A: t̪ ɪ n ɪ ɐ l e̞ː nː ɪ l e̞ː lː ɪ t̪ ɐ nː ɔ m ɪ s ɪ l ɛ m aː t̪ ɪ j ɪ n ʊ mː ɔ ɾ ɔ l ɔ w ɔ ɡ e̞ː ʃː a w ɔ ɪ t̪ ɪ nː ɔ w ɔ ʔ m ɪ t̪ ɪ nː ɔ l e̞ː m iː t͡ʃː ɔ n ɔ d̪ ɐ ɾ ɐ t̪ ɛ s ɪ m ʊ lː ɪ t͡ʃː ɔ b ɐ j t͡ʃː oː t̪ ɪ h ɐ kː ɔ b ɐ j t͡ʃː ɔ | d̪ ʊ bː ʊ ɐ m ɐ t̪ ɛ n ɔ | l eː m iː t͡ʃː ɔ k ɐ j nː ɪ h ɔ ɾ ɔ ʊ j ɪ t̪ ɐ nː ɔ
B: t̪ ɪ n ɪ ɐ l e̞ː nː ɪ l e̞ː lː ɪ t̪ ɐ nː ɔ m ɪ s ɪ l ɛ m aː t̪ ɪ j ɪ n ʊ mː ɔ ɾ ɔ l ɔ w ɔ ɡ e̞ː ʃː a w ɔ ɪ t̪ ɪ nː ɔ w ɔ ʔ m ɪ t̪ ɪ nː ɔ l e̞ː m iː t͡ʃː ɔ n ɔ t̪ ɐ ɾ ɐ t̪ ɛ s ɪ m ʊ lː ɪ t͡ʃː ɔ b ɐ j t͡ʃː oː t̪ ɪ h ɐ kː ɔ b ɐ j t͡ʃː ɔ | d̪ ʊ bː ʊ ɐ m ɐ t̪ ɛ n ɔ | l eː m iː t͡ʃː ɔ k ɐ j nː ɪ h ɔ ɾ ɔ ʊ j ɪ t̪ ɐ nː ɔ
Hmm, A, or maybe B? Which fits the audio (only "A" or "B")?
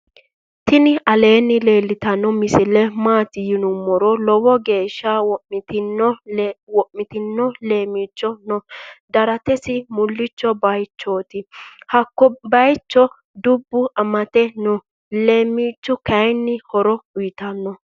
A